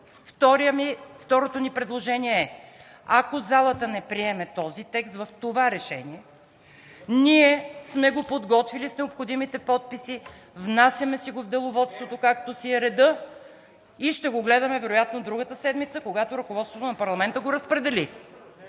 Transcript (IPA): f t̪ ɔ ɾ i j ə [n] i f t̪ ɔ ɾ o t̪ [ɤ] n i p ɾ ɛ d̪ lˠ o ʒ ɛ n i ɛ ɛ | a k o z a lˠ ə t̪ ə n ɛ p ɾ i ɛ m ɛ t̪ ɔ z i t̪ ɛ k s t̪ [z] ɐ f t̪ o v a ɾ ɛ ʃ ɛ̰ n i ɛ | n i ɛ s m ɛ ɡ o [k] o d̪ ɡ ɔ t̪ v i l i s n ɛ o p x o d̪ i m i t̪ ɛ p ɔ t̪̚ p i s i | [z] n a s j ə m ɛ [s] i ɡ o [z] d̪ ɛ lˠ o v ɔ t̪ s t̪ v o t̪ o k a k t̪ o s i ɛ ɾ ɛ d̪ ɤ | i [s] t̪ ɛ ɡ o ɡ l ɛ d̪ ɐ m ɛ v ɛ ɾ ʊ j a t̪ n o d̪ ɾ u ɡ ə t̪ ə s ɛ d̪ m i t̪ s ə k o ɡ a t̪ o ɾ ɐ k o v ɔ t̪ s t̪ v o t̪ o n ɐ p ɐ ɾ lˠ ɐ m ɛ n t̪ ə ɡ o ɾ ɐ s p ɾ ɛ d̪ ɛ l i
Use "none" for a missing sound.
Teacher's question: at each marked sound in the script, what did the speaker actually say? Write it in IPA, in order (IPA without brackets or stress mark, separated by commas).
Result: m, o, v, p, v, s, v, ʃ